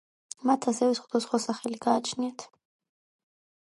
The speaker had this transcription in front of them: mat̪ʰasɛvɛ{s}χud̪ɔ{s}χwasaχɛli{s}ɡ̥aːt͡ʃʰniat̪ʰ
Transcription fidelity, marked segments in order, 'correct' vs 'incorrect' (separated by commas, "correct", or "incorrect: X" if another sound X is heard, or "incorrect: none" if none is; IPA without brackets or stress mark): correct, correct, incorrect: none